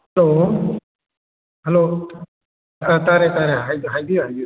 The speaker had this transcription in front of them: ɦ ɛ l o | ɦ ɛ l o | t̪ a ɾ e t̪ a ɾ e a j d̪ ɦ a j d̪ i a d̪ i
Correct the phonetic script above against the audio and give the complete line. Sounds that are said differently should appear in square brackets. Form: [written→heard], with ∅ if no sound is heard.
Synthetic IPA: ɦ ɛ l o | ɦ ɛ l o | t̪ a ɾ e t̪ a ɾ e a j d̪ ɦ a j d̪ i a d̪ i

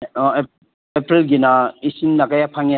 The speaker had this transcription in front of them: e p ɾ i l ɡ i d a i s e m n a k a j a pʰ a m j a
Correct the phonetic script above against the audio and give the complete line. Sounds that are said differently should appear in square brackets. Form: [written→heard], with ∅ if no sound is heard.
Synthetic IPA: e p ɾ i l ɡ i [d→n] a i s [e→i] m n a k a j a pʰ a [m→ŋ] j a

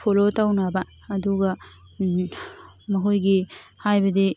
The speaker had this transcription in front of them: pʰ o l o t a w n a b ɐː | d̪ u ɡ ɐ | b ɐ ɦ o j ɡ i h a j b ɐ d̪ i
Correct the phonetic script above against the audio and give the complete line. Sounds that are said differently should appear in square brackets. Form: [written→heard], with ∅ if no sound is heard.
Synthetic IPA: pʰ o l o t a w n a b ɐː | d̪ u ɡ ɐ | [b→m] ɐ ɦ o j ɡ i h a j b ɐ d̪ i

